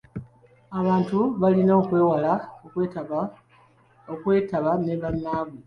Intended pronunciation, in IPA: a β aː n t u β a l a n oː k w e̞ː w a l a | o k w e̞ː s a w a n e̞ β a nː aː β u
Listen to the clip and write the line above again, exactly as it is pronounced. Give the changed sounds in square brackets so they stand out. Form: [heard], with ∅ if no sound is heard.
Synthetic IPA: a β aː n t u β a l [i] n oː k w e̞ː w a l a | o k w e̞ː [t] a [β] a n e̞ β a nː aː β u

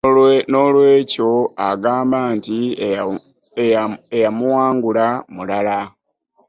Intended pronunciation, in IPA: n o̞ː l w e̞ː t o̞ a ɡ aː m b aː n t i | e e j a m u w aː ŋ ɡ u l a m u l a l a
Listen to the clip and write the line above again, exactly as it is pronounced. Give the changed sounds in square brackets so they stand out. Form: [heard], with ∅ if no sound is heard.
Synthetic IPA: n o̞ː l w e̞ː [c] o̞ a ɡ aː m b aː n t i | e e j a m u w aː ŋ ɡ u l a m u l a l a

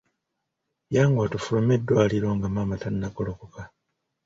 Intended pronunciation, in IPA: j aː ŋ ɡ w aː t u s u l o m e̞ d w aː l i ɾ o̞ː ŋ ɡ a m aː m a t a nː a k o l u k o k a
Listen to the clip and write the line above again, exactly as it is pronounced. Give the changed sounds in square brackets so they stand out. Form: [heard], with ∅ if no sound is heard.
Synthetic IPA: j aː ŋ ɡ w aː t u [f] u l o m e̞ d w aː l i ɾ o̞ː ŋ ɡ a m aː m a t a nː a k o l [o] k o k a

